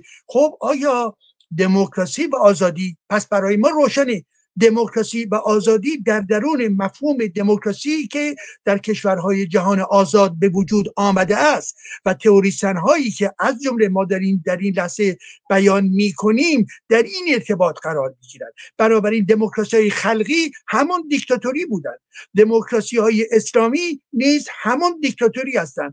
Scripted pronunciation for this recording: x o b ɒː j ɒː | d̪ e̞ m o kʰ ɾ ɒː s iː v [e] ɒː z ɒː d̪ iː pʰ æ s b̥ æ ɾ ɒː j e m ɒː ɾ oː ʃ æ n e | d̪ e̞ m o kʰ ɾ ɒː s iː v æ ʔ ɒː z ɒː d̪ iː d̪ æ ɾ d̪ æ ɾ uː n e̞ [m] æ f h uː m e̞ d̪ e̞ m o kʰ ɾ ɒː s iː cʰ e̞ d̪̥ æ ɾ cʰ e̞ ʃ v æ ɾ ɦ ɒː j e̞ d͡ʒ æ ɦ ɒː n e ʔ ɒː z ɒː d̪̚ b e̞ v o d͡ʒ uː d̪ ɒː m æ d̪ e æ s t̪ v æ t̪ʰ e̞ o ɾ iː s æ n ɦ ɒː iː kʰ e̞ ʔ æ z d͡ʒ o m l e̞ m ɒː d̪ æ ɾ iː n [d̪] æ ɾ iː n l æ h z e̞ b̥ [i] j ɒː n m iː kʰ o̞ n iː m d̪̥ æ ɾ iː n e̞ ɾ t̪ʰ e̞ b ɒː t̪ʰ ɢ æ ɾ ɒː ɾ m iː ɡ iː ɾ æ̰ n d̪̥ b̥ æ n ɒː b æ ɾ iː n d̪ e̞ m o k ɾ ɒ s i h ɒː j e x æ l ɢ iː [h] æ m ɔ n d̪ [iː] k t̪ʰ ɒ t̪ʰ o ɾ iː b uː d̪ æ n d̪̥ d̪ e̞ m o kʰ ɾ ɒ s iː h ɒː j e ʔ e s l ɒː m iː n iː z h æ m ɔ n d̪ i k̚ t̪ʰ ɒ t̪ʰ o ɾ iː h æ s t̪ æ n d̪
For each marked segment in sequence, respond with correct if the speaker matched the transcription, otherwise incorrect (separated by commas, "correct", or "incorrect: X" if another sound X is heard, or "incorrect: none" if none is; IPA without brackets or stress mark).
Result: incorrect: æ, correct, correct, incorrect: æ, correct, incorrect: i